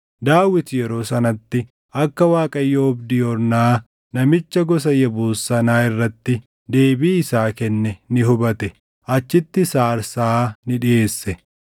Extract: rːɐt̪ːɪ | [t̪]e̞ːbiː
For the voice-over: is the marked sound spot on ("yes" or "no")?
no